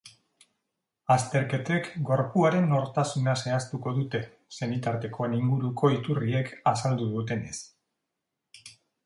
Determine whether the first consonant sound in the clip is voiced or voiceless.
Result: voiceless